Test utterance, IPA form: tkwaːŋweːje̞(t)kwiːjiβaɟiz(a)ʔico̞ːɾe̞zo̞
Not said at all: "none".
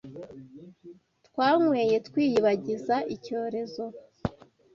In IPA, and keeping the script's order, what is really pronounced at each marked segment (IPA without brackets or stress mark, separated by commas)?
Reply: t, a